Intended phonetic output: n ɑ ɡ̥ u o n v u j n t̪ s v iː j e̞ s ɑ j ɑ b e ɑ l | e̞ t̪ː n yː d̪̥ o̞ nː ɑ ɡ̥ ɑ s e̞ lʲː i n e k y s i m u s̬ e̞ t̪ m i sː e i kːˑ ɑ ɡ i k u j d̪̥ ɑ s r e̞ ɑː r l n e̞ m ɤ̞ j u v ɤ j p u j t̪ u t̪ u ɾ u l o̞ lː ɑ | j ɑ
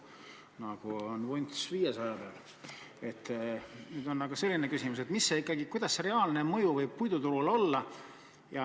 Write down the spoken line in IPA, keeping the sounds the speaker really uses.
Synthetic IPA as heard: n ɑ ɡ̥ u o n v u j n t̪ s v iː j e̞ s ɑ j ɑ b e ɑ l | e̞ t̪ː n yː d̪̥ o̞ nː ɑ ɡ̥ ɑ s e̞ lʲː i n e k y s i m u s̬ e̞ t̪ m i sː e i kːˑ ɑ ɡ i k u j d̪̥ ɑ s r e̞ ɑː l n e̞ m ɤ̞ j u v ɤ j p u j d̪ u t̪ u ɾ u l o̞ lː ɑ | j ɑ